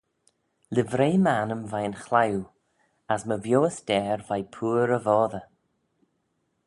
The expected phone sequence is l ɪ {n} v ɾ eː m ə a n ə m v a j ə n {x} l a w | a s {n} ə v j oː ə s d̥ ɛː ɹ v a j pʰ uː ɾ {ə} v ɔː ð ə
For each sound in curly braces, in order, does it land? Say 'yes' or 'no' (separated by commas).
no, yes, no, yes